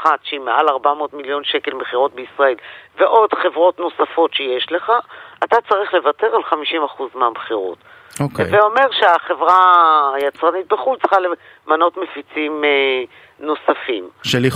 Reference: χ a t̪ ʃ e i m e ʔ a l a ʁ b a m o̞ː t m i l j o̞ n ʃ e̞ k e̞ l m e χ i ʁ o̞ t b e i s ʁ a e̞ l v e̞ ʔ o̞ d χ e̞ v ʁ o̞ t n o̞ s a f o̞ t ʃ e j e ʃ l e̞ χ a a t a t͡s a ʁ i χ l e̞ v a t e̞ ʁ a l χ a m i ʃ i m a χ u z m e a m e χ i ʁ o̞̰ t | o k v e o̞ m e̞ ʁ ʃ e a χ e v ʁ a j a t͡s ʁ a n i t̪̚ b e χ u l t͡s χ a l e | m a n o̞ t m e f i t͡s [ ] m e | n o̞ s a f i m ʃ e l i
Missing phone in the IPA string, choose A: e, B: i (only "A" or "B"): B